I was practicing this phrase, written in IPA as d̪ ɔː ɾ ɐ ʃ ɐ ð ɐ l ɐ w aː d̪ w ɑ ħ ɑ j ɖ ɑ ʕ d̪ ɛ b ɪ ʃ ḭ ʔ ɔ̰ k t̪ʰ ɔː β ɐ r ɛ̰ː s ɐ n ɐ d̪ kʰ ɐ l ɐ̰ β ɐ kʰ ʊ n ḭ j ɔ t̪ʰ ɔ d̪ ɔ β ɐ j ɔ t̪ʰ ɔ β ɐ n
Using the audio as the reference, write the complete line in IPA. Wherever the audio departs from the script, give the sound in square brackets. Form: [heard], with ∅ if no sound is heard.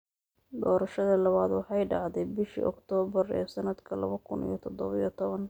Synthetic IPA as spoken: d̪ ɔː ɾ ɐ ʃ ɐ ð ɐ l ɐ [β] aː d̪ w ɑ ħ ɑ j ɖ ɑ ʕ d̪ ɛ b ɪ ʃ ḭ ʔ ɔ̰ k t̪ʰ ɔː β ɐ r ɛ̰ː s ɐ n ɐ d̪ kʰ ɐ l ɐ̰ β ɐ kʰ ʊ n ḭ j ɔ t̪ʰ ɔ d̪ ɔ β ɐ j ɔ t̪ʰ ɔ β ɐ n